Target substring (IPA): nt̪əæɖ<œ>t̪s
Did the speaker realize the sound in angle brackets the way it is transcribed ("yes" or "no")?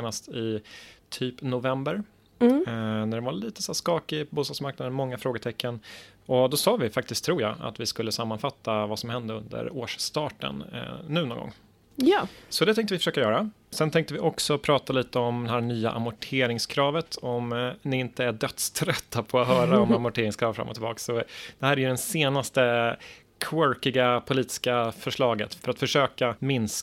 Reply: yes